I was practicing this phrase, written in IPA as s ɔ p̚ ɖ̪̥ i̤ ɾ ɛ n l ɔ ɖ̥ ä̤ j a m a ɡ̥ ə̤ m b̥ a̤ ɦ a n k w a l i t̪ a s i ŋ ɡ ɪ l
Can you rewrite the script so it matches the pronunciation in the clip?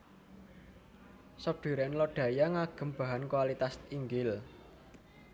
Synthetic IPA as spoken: s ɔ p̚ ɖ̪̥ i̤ ɾ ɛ n l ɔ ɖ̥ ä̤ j a ŋ a ɡ̥ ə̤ m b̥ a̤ ɦ a n k w a l i t̪ a s i ŋ ɡ ɪ l